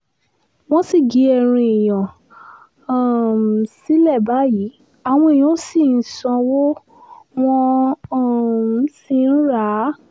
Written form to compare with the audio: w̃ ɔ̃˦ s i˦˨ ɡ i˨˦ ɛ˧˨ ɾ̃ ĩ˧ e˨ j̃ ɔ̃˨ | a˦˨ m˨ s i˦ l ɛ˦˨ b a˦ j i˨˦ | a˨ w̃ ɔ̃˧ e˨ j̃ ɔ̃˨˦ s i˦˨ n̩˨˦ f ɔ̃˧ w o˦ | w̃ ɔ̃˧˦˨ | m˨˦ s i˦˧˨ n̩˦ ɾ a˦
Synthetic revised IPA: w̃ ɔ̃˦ s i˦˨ ɡ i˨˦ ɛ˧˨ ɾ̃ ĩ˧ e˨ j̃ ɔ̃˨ | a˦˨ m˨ s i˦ l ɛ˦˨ b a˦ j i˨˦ | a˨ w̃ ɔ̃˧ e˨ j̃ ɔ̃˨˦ s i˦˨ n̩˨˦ s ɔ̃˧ w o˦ | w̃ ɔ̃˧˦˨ | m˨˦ s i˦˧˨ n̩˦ ɾ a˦